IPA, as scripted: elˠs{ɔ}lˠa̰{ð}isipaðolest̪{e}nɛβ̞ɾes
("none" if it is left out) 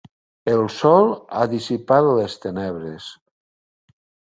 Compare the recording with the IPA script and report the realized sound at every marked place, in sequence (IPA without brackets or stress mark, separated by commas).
ɔ, ð, e